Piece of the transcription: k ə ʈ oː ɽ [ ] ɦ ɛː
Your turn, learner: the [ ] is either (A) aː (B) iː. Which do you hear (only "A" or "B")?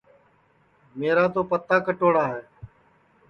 A